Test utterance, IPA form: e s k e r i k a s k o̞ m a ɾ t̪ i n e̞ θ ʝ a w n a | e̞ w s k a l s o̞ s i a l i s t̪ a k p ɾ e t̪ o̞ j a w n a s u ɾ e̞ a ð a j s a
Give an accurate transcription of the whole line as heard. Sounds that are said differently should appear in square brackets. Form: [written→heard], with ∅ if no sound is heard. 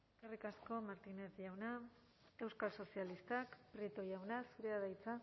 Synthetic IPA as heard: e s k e r i k a s k o̞ m a ɾ t̪ i n e̞ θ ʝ a w n a | e̞ w s k a l s o̞ s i a l i s t̪ a k p ɾ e t̪ o̞ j a w n a s u ɾ e̞ a ð a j [s→t͡s] a